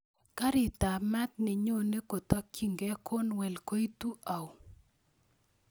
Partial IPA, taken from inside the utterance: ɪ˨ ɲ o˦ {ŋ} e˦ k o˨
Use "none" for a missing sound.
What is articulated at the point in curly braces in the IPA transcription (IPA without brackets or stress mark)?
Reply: n